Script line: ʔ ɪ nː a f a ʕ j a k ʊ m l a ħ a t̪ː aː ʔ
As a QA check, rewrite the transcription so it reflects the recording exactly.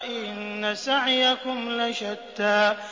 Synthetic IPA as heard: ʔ ɪ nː a s a ʕ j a k ʊ m l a ʃ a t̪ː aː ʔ